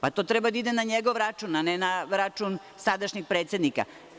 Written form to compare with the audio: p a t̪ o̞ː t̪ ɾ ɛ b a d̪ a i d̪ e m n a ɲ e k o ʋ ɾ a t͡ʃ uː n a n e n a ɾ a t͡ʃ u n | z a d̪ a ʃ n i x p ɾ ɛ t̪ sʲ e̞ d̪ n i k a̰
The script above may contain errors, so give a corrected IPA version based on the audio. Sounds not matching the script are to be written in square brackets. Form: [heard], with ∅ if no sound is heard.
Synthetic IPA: p a t̪ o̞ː t̪ ɾ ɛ b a d̪ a i d̪ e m n a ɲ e [ɡ] o ʋ ɾ a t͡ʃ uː n a n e n a ɾ a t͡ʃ u n | [s] a d̪ a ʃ [ɲ] i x p ɾ [e] t̪ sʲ e̞ d̪ n i k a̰

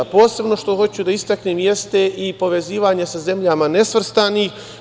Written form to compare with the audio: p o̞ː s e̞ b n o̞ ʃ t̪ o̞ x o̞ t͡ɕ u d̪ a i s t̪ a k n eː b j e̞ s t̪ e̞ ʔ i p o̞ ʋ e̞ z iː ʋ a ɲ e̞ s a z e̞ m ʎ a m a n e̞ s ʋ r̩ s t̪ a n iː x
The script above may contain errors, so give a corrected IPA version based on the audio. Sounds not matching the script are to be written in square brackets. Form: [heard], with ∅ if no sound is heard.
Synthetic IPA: p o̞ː s e̞ b n o̞ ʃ t̪ o̞ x o̞ t͡ɕ u d̪ a i s t̪ a k n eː [m] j e̞ s t̪ e̞ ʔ i p o̞ ʋ e̞ z iː ʋ a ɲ e̞ s a z e̞ m ʎ a m a n e̞ s ʋ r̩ s t̪ a n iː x

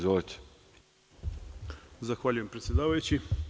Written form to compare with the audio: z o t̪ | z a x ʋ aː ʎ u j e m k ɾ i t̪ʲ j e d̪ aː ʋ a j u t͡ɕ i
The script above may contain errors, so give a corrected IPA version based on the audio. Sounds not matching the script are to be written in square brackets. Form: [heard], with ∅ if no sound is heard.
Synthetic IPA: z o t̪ | z a x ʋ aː ʎ u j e m [p] ɾ [e] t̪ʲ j e d̪ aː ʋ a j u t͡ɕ i

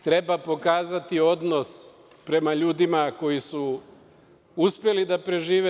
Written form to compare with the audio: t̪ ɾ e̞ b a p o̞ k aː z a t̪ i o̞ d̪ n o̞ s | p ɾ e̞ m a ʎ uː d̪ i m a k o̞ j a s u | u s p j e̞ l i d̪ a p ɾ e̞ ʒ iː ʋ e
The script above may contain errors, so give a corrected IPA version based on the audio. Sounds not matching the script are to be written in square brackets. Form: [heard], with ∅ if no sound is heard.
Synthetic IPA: t̪ ɾ e̞ b a p o̞ k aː z a t̪ i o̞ d̪ n o̞ s | p ɾ e̞ m a ʎ uː d̪ i m a k o̞ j [i] s u | u s p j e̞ l i d̪ a p ɾ e̞ ʒ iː ʋ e

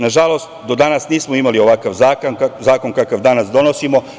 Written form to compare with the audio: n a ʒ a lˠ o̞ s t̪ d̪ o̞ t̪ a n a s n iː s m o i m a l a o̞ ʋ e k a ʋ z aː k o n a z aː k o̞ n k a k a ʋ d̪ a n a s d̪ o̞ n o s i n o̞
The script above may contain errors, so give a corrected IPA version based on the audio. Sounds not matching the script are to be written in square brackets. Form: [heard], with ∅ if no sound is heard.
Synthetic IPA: n a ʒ a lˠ o̞ s t̪ d̪ o̞ [d̪] a n a s n iː s m o i m a l [i] o̞ ʋ [a] k a ʋ z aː k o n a z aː k o̞ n k a k a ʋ d̪ a n a s d̪ o̞ n o s i [m] o̞

